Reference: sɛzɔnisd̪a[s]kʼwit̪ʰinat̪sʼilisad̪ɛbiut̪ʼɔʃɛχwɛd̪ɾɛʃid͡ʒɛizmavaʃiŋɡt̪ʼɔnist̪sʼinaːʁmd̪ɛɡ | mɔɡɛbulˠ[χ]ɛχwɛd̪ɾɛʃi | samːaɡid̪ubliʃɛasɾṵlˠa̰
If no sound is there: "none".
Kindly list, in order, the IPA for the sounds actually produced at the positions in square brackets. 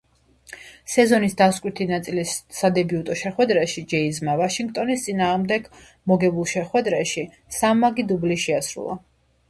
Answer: s, ʃ

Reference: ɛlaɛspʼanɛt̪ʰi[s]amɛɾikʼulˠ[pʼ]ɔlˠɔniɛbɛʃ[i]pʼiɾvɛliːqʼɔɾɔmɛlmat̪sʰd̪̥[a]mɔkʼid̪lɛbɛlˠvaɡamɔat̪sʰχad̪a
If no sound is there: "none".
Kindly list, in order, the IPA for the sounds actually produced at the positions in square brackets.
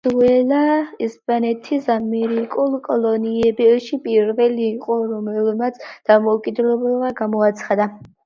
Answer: s, kʼ, i, a

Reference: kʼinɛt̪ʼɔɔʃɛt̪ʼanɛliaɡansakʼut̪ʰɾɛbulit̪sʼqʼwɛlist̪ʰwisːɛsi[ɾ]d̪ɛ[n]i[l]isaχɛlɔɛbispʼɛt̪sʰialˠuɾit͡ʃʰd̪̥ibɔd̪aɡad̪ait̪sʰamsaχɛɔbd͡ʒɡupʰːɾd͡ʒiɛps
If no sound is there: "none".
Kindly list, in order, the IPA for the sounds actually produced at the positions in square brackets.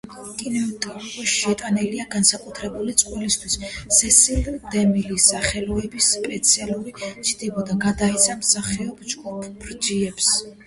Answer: l, m, l

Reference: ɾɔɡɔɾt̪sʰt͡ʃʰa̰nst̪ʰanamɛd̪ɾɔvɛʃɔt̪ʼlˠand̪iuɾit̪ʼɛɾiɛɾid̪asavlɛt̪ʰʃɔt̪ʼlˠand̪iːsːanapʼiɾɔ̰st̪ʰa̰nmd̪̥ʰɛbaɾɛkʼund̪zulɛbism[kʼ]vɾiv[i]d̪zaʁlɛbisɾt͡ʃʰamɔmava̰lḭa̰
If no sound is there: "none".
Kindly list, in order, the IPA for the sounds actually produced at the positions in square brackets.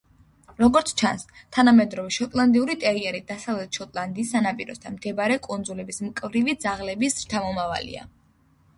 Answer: kʼ, i

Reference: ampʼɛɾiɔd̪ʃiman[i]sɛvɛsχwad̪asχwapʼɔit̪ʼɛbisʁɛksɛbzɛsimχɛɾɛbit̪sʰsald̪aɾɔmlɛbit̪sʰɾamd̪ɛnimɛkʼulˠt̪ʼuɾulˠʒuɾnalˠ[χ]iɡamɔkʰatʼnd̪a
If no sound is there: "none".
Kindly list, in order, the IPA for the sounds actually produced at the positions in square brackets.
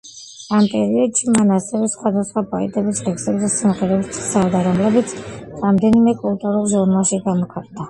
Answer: a, ʃ

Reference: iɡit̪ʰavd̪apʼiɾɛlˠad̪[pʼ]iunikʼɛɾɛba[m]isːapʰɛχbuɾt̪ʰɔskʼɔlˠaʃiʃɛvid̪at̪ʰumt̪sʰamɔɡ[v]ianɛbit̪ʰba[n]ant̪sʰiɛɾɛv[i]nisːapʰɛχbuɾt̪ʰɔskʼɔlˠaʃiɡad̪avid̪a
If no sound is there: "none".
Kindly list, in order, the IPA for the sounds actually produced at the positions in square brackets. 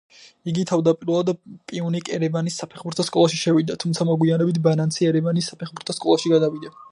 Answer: pʼ, n, w, n, a

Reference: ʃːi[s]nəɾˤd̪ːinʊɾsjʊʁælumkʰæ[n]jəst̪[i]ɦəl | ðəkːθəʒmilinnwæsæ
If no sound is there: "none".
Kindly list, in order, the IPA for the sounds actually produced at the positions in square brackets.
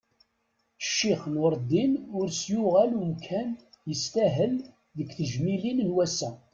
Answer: χ, n, æ

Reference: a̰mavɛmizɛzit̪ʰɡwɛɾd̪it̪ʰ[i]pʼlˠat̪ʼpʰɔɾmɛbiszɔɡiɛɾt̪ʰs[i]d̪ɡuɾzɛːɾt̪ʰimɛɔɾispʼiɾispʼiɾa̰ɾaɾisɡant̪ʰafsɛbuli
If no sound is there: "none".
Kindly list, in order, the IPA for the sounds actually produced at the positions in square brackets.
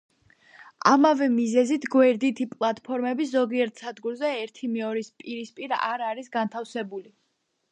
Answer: i, a

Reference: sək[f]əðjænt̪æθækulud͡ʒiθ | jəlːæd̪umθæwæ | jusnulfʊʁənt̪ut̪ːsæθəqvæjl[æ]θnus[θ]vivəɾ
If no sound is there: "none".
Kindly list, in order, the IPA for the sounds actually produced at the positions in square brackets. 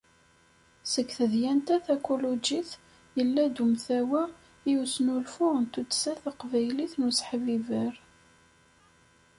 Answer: θ, i, ħ

